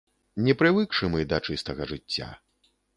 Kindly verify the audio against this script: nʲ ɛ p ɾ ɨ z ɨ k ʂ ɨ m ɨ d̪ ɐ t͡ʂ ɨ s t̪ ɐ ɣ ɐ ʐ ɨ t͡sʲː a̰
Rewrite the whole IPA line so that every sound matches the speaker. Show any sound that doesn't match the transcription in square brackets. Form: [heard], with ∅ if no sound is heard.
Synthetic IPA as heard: nʲ ɛ p ɾ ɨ [v] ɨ k ʂ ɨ m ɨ d̪ ɐ t͡ʂ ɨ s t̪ ɐ ɣ ɐ ʐ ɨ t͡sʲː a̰